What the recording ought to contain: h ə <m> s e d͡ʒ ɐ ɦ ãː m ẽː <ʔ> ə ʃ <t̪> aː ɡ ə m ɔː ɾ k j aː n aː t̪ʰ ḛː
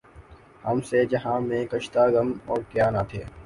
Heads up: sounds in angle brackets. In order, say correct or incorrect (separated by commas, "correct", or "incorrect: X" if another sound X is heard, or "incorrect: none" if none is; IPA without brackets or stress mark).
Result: correct, incorrect: k, correct